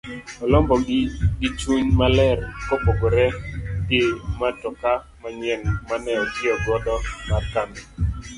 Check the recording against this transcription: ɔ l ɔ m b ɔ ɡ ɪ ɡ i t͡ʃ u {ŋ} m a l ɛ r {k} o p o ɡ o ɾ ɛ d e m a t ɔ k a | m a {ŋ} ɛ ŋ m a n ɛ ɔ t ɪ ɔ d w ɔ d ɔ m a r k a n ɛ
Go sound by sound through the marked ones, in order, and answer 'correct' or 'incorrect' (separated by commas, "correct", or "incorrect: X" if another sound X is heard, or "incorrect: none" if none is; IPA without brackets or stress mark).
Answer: incorrect: ɲ, correct, incorrect: ɲ